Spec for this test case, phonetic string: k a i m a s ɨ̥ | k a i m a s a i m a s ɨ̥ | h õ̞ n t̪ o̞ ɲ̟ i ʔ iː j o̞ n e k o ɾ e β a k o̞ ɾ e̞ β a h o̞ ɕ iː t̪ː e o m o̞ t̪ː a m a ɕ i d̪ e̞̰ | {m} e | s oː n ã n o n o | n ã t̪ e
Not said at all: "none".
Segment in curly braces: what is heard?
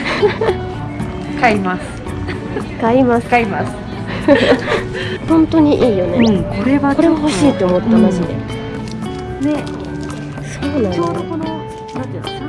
n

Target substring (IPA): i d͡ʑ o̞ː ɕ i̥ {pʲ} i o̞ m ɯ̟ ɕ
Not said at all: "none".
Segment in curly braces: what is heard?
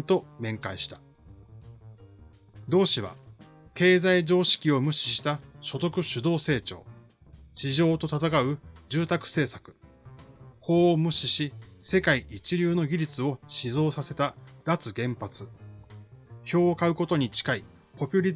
kʲ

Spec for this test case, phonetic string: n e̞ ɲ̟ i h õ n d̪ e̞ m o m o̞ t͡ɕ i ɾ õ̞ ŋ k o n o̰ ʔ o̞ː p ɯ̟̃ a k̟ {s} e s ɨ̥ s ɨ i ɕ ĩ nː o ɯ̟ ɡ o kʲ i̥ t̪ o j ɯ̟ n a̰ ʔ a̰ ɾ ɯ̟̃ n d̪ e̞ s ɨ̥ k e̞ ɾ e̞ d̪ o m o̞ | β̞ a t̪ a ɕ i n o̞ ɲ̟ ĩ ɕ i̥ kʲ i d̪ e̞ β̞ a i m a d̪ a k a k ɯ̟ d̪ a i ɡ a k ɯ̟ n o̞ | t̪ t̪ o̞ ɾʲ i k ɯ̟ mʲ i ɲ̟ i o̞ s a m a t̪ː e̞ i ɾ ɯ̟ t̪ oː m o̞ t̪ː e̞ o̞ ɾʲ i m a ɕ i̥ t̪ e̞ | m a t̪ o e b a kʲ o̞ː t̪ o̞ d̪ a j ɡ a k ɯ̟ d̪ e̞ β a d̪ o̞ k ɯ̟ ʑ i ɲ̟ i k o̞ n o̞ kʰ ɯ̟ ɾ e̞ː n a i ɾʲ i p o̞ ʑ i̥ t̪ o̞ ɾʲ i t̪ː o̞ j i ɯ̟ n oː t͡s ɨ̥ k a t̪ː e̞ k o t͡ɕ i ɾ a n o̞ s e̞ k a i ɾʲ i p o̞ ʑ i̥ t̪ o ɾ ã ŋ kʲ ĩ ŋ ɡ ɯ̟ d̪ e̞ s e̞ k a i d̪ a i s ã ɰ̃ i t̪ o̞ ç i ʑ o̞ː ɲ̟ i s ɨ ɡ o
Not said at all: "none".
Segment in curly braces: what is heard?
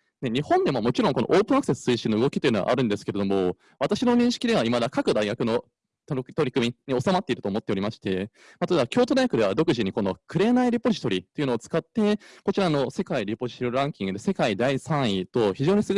s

